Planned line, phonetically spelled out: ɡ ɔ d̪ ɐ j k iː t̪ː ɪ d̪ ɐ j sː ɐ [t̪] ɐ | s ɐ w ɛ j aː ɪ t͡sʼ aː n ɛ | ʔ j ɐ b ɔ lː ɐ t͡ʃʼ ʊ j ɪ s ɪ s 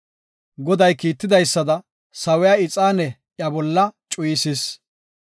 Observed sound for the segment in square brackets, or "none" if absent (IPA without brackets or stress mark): d̪